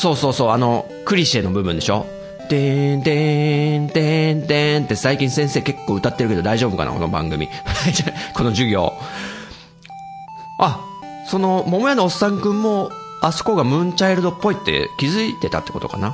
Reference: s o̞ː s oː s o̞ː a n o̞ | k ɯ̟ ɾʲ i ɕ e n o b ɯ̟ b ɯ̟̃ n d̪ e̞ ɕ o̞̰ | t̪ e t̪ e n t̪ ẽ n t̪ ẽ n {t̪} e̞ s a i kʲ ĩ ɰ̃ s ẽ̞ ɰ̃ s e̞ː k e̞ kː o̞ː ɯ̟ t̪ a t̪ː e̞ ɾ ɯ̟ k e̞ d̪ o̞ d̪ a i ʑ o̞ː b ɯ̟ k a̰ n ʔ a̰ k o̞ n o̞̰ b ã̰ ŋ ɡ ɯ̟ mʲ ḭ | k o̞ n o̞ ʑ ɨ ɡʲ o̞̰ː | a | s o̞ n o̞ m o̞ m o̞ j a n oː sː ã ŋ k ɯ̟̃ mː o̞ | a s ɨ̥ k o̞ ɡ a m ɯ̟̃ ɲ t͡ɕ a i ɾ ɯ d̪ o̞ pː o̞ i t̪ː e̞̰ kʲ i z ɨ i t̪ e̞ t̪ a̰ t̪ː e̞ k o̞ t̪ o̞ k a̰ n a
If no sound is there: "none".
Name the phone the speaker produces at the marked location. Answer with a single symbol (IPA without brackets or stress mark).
t̪